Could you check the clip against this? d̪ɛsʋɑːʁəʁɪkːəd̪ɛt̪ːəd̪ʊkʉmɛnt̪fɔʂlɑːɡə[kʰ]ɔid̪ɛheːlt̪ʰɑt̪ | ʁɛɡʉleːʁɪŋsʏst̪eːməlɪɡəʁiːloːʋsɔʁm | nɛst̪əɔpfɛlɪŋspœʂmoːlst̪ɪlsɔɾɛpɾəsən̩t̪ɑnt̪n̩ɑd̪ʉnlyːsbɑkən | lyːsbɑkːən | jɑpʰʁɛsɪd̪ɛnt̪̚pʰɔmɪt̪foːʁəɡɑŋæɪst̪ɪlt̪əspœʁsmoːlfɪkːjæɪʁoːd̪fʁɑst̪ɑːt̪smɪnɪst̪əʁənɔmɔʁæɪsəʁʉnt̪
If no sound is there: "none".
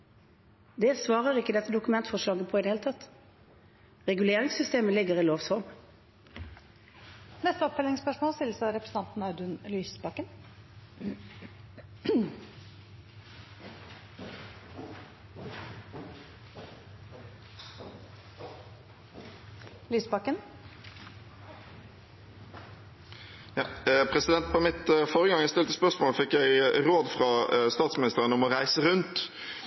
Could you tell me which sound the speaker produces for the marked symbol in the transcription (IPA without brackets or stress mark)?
pʰ